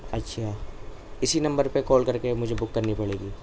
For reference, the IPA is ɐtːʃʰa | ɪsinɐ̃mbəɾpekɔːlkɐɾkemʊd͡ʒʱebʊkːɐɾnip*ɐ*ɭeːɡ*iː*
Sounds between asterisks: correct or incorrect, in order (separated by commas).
correct, correct